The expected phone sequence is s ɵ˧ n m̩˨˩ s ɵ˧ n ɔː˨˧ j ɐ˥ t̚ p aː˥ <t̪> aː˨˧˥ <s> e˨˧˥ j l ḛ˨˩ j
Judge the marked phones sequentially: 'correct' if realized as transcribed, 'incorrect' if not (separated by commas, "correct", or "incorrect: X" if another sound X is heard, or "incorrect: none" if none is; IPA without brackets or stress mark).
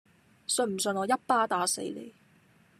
correct, correct